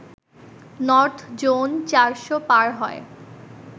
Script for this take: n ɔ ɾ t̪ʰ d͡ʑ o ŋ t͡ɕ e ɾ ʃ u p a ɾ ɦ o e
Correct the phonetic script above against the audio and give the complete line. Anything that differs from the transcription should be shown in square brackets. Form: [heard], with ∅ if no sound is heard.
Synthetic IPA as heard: n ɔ ɾ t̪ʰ d͡ʑ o [n] t͡ɕ [a] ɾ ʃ [o] p a ɾ ɦ [ɔ] e